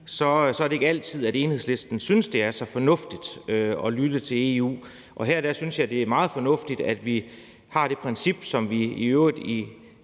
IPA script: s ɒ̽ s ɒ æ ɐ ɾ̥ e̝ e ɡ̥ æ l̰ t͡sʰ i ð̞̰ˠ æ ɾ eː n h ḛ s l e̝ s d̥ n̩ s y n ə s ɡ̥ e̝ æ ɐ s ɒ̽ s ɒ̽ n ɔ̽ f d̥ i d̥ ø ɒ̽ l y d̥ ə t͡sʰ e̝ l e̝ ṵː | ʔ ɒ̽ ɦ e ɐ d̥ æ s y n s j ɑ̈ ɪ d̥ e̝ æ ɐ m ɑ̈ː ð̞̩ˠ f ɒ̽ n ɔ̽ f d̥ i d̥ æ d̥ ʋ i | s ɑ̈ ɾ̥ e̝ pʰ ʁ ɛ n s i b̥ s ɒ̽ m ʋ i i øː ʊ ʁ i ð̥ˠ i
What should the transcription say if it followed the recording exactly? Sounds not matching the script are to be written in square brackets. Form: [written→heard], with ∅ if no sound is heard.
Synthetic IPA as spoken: s ɒ̽ s ɒ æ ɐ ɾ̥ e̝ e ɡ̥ æ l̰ t͡sʰ i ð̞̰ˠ æ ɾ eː n h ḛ s l e̝ s d̥ n̩ s y n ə s [ɡ̥→d̥] e̝ æ ɐ s ɒ̽ [s→f] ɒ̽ n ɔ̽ f d̥ i d̥ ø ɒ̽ l y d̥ ə t͡sʰ e̝ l e̝ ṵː | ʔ ɒ̽ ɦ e ɐ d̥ æ s y n s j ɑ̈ ɪ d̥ e̝ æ ɐ m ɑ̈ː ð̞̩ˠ f ɒ̽ n ɔ̽ f d̥ i d̥ æ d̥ ʋ i | [s→h] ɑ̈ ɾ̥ e̝ pʰ ʁ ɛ n s i b̥ s ɒ̽ m ʋ i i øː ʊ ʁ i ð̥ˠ i